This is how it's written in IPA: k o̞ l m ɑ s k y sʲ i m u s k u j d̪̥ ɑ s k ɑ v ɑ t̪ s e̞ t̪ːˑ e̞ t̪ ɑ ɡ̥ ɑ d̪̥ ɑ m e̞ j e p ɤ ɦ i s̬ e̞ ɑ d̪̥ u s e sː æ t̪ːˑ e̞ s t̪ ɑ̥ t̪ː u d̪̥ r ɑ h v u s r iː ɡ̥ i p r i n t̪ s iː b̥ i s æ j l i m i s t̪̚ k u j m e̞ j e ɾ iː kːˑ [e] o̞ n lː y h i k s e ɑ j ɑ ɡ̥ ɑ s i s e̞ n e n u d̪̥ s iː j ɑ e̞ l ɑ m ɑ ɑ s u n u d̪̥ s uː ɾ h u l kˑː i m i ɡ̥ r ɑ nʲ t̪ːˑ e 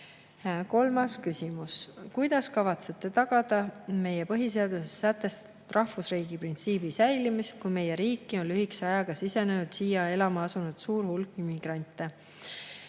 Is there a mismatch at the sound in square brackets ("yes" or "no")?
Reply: yes